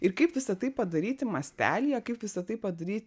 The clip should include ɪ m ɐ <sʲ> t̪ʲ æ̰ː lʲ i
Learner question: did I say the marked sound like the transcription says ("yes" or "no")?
yes